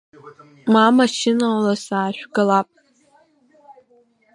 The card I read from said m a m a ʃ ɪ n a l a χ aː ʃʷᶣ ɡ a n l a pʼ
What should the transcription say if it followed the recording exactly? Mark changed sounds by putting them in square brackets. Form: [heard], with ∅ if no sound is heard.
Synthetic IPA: m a m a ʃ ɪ n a l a [s] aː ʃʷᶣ ɡ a [∅] l a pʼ